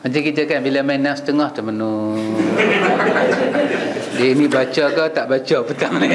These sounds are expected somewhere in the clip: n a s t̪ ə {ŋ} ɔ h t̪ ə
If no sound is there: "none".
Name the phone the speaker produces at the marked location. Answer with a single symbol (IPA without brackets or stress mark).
ŋ